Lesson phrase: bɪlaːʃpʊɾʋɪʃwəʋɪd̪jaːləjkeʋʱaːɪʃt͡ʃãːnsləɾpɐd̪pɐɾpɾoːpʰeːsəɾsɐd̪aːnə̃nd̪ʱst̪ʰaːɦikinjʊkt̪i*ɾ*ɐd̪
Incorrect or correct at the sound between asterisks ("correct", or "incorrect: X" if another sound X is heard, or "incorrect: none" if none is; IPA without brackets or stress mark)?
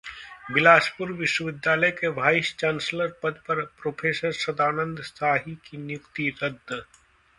correct